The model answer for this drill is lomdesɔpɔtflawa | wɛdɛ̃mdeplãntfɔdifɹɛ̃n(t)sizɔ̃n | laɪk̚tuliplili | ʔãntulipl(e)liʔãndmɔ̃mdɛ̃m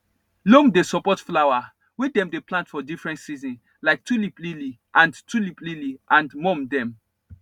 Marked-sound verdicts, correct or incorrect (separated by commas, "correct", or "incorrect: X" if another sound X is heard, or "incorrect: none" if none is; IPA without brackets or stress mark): correct, incorrect: i